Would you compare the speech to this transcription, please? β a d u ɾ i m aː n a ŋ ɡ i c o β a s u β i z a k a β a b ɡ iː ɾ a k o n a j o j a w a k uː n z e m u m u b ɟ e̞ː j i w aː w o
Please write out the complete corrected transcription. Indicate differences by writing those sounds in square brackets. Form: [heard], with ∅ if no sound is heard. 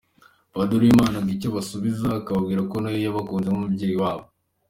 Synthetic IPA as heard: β a d u ɾ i m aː n a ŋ ɡ i c o β a s u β i z a k a β a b ɡ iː ɾ a k o n a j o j a [β] a k uː n z e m u m u b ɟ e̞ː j i w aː [β] o